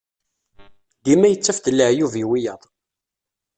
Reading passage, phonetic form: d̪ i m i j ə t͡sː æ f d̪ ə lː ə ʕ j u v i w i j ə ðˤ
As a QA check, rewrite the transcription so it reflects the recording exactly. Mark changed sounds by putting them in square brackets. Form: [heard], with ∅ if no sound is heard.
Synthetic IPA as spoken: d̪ i m [æ] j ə t͡sː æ f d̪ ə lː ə ʕ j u v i w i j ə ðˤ